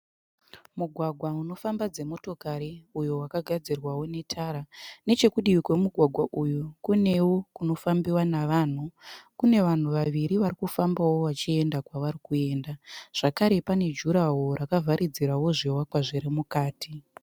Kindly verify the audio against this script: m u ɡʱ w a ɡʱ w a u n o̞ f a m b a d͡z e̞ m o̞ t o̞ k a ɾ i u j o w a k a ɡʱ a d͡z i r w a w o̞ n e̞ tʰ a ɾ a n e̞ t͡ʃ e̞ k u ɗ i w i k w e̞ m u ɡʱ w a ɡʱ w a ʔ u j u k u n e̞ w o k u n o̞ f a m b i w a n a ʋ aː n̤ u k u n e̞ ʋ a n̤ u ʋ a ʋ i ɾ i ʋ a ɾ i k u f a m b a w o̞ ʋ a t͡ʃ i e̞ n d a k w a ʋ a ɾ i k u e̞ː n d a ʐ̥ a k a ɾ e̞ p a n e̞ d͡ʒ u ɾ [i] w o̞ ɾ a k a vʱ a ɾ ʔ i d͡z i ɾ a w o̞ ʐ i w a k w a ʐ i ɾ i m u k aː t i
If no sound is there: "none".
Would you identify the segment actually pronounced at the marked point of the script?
a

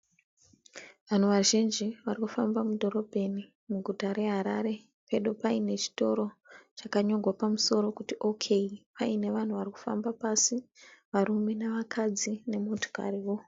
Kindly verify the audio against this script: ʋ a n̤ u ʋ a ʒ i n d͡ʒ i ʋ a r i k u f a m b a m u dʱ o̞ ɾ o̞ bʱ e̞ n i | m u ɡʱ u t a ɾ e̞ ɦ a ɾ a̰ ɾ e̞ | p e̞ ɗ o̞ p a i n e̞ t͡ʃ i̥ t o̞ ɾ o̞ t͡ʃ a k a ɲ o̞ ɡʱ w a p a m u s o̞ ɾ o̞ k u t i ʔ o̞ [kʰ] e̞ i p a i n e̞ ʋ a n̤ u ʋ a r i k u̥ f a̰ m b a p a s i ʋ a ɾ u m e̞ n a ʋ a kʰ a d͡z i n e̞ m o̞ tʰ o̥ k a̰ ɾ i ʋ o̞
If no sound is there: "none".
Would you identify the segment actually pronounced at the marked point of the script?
kʰ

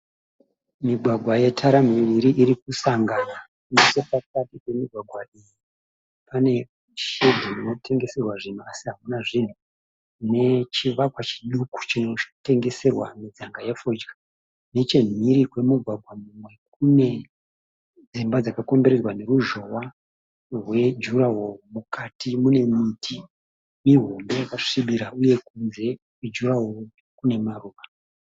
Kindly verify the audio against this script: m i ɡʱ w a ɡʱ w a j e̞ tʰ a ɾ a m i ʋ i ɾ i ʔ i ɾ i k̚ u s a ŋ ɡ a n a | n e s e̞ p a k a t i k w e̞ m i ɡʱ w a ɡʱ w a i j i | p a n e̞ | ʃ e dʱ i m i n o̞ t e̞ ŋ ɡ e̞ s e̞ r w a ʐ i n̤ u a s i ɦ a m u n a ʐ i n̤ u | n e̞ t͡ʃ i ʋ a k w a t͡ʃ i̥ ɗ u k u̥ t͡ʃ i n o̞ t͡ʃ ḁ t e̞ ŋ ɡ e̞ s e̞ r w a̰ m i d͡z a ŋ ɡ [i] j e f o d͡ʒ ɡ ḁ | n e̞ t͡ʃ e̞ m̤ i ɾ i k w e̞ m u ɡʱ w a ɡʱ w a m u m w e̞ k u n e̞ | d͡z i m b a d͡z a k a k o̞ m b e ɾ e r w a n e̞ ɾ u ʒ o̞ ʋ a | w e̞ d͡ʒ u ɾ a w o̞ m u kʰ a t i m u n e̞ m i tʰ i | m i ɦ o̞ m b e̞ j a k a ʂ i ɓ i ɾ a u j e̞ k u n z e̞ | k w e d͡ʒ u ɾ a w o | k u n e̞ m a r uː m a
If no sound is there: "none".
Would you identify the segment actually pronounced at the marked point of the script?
a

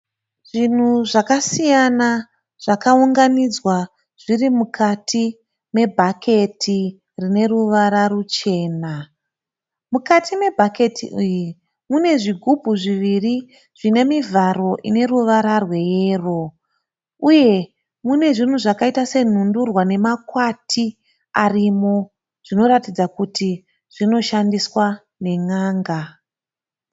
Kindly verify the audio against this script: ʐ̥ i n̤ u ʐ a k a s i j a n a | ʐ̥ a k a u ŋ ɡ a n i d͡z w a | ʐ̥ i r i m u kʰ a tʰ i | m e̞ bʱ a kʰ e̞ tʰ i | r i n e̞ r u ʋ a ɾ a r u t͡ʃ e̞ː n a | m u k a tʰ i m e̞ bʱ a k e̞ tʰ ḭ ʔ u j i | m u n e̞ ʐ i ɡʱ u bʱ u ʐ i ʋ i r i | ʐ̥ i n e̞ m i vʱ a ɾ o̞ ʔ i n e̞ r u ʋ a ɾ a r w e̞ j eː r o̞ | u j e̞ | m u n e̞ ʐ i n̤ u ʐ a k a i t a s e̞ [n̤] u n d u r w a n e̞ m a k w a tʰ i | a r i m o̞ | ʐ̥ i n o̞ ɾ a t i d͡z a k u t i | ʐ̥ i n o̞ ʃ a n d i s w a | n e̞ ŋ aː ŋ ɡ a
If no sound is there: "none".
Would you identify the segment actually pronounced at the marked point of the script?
n̤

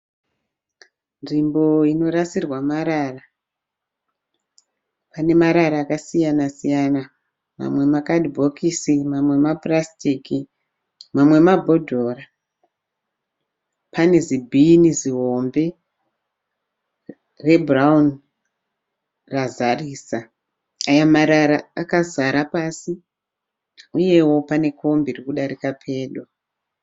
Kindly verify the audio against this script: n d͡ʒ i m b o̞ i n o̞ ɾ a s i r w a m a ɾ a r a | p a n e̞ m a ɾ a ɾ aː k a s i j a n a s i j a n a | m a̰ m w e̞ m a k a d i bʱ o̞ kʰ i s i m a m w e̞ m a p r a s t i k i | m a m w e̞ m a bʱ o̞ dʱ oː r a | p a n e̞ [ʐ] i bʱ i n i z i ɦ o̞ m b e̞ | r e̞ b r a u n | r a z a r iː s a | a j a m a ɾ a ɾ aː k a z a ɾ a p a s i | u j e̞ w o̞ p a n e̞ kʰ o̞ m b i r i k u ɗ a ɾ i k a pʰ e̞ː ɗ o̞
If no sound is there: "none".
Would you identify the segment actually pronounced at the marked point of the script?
z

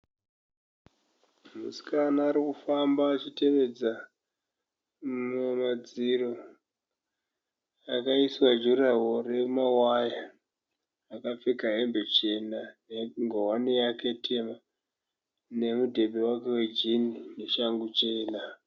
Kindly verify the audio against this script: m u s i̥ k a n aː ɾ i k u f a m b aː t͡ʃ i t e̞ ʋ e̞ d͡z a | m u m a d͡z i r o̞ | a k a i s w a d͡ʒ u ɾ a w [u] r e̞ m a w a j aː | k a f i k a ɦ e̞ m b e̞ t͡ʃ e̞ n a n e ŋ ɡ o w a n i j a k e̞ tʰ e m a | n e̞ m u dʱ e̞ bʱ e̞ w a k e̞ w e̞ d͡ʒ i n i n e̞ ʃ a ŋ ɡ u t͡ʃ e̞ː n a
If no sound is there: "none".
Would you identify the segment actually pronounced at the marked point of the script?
o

